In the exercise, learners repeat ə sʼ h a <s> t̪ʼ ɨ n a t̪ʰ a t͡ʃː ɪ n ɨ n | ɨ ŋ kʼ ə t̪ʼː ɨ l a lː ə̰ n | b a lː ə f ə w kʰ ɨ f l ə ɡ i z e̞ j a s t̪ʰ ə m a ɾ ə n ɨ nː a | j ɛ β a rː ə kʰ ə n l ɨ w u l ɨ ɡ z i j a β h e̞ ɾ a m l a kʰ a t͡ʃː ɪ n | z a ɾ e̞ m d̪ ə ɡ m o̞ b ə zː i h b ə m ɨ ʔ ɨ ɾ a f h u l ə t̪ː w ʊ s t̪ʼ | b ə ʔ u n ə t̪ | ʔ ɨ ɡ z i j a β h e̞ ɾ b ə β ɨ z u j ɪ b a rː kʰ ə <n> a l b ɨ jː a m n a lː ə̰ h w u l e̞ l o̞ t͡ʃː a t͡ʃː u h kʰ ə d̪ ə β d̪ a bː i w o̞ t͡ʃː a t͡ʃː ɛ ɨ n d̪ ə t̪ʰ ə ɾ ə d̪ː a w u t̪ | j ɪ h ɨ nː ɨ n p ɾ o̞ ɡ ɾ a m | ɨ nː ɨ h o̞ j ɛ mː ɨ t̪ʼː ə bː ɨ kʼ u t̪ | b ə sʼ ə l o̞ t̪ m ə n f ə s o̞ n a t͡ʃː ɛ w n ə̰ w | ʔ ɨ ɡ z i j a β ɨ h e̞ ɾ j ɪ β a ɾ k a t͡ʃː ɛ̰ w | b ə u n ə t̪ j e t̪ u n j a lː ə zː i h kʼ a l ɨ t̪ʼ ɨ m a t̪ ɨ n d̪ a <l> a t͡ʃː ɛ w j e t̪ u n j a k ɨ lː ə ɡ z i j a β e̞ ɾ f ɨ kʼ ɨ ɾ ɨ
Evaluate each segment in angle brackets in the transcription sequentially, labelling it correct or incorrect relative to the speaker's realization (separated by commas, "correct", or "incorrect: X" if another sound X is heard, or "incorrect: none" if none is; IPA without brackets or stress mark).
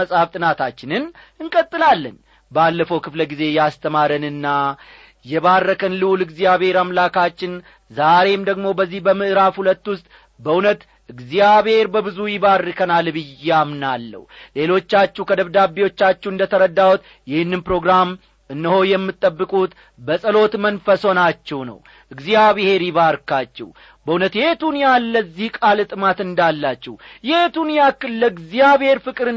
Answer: incorrect: f, correct, incorrect: lː